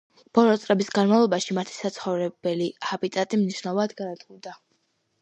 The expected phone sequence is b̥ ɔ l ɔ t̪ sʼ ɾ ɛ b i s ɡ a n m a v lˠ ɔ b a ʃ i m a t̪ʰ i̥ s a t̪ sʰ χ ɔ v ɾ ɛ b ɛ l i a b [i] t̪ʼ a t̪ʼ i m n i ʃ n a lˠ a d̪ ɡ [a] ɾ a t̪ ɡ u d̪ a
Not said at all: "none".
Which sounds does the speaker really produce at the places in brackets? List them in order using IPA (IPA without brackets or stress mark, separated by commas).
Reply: i, a